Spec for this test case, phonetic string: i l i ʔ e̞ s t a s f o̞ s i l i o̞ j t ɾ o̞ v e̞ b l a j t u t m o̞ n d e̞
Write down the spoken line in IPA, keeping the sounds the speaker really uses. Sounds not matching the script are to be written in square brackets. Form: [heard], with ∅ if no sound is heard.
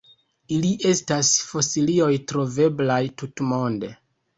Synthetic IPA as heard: i l i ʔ e̞ s t a s f o̞ s i l i o̞ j t ɾ o̞ v e̞ b l a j t u t m o̞ n d e̞